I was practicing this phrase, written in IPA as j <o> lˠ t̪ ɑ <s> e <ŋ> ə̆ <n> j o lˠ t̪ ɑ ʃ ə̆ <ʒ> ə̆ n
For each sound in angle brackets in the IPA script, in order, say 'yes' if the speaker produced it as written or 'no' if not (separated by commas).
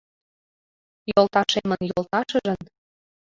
yes, no, no, yes, yes